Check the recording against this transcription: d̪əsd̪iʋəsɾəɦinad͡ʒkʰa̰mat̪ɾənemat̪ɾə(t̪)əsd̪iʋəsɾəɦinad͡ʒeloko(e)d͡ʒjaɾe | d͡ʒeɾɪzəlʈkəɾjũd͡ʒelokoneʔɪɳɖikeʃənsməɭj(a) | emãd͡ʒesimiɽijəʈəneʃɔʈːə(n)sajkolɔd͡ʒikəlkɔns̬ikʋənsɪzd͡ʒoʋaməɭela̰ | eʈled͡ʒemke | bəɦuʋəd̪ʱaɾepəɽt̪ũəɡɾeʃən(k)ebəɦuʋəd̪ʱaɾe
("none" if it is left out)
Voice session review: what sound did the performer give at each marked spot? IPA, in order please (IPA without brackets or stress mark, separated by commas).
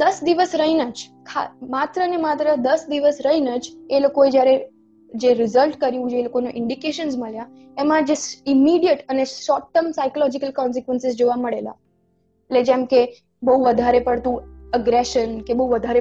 d̪, e, a, m, k